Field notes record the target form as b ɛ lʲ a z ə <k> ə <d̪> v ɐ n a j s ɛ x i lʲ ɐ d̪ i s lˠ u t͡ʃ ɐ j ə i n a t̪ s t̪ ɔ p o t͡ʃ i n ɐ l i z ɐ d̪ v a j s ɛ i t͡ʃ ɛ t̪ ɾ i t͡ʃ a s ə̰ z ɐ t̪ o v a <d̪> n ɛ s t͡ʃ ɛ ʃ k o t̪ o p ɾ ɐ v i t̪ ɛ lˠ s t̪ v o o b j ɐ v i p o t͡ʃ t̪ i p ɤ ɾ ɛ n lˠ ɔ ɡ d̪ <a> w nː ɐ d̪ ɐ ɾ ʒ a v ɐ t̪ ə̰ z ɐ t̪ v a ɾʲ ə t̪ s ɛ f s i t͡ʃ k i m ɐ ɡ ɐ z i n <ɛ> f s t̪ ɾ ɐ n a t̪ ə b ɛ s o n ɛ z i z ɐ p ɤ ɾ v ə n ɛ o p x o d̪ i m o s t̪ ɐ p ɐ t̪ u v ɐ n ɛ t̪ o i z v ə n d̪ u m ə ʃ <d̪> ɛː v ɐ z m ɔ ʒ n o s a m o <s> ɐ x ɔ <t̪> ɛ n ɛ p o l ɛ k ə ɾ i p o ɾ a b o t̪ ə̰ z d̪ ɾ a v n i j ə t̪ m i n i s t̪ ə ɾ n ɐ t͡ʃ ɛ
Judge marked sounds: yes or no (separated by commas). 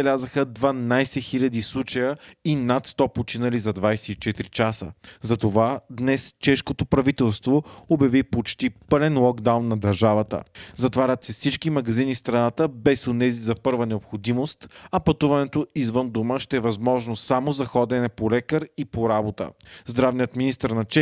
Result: no, yes, yes, yes, no, no, no, no